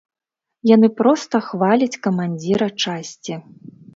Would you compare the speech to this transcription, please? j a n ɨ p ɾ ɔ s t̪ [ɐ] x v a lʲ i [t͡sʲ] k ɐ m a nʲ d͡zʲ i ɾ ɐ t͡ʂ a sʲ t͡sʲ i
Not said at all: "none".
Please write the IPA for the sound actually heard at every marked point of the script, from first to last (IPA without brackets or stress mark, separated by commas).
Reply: ɐ, t͡sʲ